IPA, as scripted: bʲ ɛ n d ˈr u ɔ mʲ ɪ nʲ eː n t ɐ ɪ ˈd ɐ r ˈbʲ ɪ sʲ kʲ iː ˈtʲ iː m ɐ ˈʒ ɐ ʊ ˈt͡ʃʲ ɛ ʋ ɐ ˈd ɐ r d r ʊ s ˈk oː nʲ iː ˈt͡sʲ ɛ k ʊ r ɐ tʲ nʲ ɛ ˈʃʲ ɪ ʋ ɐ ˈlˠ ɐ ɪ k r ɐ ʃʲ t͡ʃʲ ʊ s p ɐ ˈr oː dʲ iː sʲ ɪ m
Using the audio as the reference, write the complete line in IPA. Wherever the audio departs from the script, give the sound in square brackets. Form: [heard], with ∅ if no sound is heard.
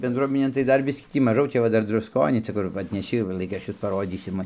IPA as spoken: bʲ ɛ n d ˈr u ɔ mʲ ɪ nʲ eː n t ɐ ɪ ˈd ɐ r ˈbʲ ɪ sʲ kʲ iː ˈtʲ iː m ɐ ˈʒ ɐ ʊ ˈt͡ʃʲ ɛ ʋ ɐ ˈd ɐ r d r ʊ s ˈk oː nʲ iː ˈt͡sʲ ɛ k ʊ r ɐ tʲ nʲ ɛ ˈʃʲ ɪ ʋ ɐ ˈlˠ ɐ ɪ k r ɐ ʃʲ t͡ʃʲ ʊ s p ɐ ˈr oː dʲ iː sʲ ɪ m